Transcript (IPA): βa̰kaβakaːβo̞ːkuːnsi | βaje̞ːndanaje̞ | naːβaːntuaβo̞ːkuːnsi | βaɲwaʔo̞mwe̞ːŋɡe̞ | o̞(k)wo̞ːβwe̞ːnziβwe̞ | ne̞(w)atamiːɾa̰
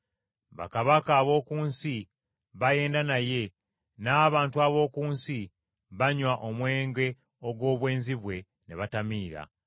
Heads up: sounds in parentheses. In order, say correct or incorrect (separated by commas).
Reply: incorrect, incorrect